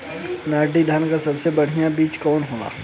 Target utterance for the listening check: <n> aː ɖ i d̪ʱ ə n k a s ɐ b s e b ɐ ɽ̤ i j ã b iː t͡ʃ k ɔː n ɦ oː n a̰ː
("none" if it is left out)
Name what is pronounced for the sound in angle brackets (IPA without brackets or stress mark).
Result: n